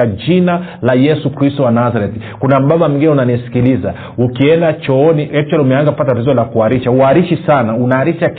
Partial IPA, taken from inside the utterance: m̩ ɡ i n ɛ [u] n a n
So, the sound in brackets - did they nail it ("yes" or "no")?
yes